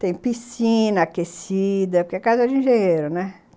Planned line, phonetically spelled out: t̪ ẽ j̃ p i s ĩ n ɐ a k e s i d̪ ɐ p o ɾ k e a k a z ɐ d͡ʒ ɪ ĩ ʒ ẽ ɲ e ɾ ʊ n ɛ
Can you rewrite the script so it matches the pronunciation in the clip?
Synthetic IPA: t̪ ẽ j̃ p i s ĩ n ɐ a k e s i d̪ ɐ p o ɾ k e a k a z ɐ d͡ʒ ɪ ĩ ʒ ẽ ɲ e ɾ ʊ n ɛ